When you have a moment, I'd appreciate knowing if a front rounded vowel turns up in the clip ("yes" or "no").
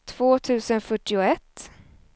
yes